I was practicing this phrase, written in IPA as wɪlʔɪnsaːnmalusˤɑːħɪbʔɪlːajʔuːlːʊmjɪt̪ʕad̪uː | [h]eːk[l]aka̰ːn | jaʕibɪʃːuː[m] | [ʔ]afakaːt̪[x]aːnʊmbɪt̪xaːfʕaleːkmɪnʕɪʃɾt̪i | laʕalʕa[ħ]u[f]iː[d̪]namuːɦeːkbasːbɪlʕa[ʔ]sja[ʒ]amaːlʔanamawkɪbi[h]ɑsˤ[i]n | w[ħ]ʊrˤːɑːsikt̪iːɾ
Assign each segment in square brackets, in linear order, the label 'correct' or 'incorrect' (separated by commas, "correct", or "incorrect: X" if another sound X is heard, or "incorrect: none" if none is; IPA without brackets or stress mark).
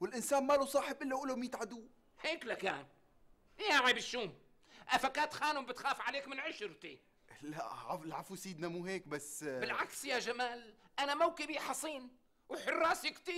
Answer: correct, correct, correct, correct, correct, incorrect: f, incorrect: s, correct, incorrect: k, correct, incorrect: ħ, incorrect: iː, correct